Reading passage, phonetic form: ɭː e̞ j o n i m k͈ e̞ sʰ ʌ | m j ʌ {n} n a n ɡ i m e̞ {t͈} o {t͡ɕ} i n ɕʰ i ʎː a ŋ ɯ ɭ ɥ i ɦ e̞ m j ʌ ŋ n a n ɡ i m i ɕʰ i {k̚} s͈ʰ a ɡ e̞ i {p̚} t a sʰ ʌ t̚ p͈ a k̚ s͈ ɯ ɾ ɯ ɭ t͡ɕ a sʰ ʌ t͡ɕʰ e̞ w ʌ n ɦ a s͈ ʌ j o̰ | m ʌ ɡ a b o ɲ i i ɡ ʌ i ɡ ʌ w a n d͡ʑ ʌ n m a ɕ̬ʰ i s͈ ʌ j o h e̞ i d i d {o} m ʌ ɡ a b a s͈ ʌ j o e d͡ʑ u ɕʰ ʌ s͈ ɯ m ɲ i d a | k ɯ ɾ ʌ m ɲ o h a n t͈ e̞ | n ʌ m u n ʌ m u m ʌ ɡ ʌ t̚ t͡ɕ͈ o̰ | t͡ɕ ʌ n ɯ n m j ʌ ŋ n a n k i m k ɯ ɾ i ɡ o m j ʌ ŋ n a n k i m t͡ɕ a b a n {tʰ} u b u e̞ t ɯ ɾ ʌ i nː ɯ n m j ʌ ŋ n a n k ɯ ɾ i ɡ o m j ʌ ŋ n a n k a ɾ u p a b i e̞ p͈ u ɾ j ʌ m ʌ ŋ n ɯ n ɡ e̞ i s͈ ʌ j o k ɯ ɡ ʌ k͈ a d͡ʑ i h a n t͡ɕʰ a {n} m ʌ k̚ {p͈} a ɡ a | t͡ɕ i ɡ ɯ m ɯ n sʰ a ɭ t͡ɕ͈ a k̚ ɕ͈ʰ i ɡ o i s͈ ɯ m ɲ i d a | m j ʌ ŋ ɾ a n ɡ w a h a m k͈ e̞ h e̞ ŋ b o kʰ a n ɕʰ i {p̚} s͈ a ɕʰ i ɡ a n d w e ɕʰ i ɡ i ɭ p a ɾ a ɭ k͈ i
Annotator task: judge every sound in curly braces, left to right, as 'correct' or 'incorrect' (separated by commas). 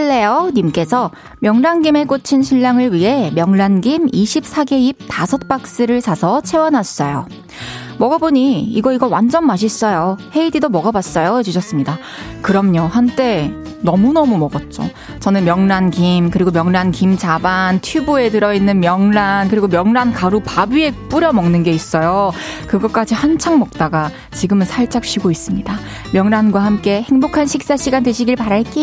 incorrect, incorrect, incorrect, incorrect, correct, correct, correct, incorrect, incorrect, incorrect